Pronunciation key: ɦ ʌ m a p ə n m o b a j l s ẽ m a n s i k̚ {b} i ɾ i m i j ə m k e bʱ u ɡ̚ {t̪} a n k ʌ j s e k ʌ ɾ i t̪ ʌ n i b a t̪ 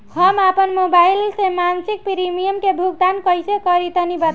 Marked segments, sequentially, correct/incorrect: incorrect, incorrect

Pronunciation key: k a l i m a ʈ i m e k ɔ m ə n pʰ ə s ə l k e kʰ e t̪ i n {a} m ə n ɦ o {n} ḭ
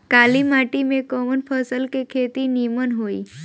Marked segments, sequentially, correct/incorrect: incorrect, incorrect

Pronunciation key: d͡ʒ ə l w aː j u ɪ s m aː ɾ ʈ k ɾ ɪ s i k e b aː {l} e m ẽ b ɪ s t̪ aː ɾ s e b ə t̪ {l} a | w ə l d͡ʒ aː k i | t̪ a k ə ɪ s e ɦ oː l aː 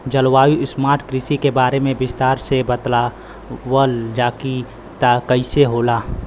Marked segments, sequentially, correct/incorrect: incorrect, correct

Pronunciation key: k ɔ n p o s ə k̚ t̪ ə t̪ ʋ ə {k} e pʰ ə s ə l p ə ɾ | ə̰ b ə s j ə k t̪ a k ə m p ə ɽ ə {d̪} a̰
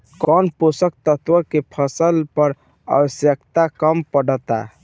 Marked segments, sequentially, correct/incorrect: correct, incorrect

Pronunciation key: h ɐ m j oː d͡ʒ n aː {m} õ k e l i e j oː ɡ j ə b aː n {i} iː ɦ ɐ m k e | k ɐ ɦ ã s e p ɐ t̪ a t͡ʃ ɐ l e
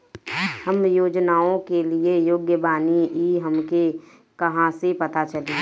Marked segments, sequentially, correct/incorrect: incorrect, correct

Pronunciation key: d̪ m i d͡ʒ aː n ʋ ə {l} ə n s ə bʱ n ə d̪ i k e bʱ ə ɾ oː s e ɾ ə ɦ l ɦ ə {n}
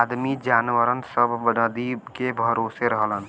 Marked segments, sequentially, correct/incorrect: incorrect, correct

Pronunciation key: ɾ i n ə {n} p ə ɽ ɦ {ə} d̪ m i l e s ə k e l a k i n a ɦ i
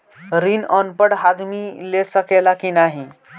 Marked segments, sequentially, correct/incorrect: correct, incorrect

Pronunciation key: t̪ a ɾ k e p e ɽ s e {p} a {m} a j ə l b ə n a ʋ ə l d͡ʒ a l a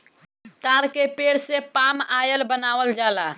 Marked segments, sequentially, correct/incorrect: correct, correct

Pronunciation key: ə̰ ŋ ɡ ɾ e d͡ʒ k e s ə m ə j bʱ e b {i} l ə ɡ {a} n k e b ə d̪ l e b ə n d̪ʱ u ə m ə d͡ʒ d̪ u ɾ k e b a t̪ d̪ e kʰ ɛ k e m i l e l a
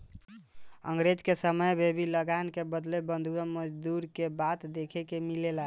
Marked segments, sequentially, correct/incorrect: correct, correct

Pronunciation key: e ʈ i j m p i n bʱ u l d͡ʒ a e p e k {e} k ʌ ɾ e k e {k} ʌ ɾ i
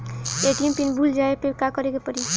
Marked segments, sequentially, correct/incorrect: incorrect, incorrect

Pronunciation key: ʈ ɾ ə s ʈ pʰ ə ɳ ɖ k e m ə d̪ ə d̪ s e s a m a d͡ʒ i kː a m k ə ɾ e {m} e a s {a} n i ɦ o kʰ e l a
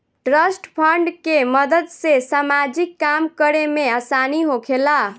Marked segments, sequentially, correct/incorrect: correct, correct

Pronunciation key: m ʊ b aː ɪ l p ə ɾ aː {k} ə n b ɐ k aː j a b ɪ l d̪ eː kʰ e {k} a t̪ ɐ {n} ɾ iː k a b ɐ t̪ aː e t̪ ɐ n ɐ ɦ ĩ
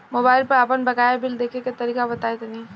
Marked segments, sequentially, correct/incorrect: incorrect, correct, incorrect

